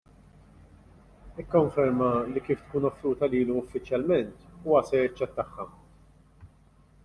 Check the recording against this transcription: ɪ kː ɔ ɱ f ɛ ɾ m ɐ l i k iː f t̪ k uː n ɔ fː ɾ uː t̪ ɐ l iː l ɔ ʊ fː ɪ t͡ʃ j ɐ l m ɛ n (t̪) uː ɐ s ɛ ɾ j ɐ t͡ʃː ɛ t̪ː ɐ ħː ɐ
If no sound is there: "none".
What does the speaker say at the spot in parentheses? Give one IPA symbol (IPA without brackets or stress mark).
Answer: t̪